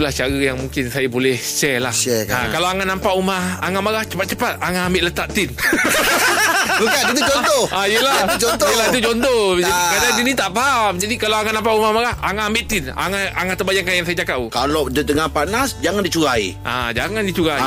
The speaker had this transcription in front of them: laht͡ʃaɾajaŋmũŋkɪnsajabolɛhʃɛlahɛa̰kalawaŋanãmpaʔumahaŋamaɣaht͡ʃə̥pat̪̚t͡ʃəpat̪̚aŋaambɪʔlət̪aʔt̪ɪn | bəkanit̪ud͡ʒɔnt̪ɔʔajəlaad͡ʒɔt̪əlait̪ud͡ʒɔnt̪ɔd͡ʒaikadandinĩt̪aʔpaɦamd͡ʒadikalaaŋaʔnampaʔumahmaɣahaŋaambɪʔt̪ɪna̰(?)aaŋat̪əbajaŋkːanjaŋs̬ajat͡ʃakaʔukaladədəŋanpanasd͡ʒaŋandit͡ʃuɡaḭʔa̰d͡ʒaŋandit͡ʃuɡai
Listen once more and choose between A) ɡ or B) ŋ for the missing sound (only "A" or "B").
B